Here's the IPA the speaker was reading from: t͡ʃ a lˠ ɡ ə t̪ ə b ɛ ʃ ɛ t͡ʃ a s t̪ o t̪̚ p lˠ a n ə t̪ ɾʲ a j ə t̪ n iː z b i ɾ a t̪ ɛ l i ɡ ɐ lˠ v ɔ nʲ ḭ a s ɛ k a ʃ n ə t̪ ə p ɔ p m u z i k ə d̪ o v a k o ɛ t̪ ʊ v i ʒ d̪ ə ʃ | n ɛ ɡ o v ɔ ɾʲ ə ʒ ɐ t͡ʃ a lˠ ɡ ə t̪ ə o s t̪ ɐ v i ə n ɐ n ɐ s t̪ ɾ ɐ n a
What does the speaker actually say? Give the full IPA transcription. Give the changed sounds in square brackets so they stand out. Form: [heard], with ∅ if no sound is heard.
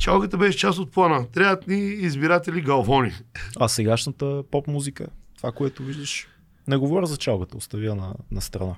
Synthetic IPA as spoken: t͡ʃ a lˠ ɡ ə t̪ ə b ɛ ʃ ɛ t͡ʃ a s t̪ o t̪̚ p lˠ a n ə t̪ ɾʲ a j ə t̪ n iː z b i ɾ a t̪ ɛ l i ɡ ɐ lˠ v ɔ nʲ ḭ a s ɛ [ɡ] a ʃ n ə t̪ ə p ɔ p m u z i k ə [t̪] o v a k o ɛ t̪ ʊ v i ʒ d̪ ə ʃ | n ɛ ɡ o v ɔ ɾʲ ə [z] ɐ t͡ʃ a lˠ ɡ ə t̪ ə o s t̪ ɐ v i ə n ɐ n ɐ s t̪ ɾ ɐ n a